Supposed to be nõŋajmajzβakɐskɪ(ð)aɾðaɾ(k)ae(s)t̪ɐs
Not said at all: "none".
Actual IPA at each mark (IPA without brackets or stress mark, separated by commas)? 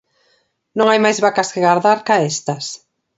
ɣ, k, s